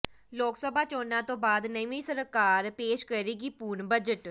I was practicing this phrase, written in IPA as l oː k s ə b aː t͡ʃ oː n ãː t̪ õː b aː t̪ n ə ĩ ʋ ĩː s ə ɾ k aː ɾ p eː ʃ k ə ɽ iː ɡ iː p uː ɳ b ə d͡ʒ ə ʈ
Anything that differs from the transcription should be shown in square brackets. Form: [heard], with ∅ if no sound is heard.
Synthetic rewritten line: l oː k s ə b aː t͡ʃ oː n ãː t̪ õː b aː [d̪] n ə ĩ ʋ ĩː s ə ɾ k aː ɾ p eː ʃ k ə [ɾ] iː ɡ iː p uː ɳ b ə d͡ʒ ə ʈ